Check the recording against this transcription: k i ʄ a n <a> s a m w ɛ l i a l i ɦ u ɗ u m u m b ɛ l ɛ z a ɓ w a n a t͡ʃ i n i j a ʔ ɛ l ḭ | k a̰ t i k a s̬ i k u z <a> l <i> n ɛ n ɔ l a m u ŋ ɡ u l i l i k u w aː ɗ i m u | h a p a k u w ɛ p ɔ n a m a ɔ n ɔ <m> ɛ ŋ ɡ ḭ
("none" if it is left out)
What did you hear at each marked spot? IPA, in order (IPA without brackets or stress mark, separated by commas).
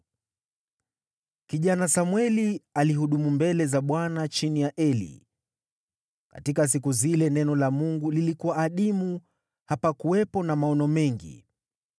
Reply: a, i, ɛ, m